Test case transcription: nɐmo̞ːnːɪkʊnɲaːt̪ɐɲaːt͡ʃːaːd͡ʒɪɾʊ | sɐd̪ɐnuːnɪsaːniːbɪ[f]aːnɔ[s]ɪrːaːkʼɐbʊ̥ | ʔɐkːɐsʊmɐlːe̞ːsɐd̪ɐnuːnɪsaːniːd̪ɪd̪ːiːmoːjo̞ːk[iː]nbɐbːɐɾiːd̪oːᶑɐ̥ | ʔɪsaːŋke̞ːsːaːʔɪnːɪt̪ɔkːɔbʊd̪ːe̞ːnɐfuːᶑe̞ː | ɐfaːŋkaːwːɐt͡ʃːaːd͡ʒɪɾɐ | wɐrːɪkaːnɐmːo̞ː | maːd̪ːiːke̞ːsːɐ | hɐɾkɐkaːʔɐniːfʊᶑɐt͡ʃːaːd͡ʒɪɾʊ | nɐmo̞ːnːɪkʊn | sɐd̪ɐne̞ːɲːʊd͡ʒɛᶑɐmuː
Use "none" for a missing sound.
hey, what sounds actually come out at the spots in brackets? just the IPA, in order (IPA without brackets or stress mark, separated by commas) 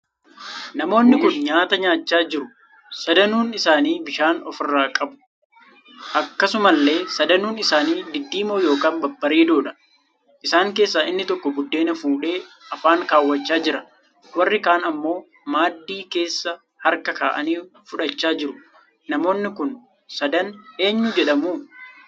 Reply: ʃ, f, aː